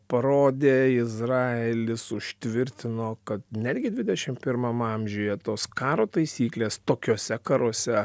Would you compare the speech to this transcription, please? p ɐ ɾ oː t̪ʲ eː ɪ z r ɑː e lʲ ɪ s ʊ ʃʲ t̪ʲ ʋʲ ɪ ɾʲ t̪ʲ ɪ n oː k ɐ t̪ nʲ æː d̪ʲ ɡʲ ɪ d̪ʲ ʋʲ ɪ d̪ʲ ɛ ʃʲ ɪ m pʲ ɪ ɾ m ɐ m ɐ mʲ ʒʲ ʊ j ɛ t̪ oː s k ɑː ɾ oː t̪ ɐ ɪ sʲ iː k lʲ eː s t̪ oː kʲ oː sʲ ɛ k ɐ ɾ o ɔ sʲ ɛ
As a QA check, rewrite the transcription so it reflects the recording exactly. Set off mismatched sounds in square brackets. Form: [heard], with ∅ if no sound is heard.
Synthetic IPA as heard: p ɐ ɾ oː [d̪ʲ] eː ɪ z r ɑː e lʲ ɪ s ʊ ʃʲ t̪ʲ ʋʲ ɪ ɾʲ t̪ʲ ɪ n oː k ɐ t̪ nʲ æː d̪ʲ ɡʲ ɪ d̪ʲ ʋʲ ɪ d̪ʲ ɛ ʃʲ ɪ m pʲ ɪ ɾ m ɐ m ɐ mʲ ʒʲ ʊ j ɛ t̪ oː s k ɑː ɾ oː t̪ ɐ ɪ sʲ iː k lʲ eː s t̪ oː kʲ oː sʲ ɛ k ɐ ɾ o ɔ sʲ ɛ